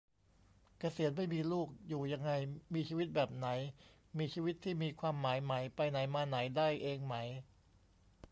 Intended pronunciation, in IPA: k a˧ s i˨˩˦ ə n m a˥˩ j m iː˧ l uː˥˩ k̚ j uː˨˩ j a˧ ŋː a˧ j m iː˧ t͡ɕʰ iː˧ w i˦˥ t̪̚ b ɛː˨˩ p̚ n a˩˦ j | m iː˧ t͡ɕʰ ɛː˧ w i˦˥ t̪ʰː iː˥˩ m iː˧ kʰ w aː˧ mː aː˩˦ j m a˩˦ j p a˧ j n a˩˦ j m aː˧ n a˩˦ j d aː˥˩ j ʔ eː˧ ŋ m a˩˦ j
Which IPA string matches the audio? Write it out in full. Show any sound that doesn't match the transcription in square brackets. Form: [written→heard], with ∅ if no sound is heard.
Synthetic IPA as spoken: k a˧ s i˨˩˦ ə n m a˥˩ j m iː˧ l uː˥˩ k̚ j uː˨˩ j a˧ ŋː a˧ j m iː˧ t͡ɕʰ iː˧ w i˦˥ t̪̚ b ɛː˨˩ p̚ n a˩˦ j | m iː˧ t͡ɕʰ [ɛː˧→iː˧] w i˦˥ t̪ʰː iː˥˩ m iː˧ kʰ w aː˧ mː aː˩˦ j m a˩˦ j p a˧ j n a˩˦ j m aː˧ n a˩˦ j d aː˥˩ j ʔ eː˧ ŋ m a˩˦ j